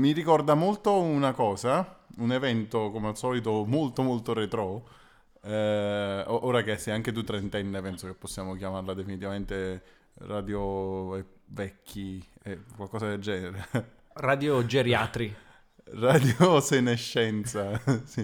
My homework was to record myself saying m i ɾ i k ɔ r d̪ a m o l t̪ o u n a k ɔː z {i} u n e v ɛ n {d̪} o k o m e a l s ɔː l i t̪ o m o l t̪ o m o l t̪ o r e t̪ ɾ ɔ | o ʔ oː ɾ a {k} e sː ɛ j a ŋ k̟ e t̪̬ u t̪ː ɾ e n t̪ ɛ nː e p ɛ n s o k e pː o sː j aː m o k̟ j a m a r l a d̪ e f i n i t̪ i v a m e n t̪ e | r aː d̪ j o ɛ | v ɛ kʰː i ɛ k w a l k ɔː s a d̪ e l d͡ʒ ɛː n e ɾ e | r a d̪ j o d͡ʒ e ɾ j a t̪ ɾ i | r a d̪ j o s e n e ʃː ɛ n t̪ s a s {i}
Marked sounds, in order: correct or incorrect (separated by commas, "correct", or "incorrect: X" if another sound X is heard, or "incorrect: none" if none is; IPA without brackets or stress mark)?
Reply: incorrect: a, incorrect: t̪, correct, correct